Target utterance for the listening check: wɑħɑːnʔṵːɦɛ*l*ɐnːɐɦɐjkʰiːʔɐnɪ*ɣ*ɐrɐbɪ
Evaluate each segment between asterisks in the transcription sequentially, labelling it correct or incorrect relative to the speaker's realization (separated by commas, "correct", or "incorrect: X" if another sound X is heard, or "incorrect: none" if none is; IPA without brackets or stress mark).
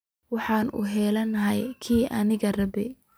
correct, correct